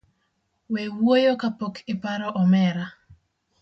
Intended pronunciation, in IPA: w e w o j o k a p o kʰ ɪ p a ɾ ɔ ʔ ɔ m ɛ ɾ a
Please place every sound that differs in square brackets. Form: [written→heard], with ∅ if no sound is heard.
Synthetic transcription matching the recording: w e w o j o k a p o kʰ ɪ p a ɾ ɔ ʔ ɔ m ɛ ɾ a